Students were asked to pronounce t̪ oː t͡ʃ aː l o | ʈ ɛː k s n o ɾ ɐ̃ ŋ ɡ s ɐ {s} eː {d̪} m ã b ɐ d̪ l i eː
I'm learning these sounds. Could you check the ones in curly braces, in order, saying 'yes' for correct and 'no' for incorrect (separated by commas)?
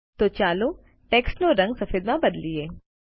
no, yes